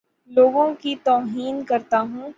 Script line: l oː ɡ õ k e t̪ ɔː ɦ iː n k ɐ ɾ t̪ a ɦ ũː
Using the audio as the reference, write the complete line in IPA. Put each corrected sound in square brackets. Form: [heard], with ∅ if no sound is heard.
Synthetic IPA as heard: l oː ɡ õ k [i] t̪ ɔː ɦ iː n k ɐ ɾ t̪ a ɦ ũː